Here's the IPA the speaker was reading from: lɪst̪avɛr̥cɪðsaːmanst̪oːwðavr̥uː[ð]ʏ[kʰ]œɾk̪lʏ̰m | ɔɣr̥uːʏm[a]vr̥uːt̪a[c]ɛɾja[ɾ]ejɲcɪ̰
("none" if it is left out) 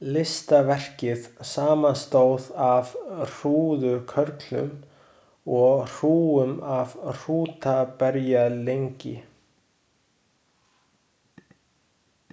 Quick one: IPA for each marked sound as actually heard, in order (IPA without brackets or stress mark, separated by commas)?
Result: ð, kʰ, a, p, l